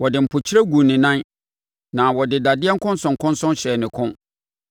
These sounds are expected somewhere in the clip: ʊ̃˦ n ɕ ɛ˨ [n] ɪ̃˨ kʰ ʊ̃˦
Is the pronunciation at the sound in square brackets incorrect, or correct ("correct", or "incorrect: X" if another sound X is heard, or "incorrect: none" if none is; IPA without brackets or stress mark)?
correct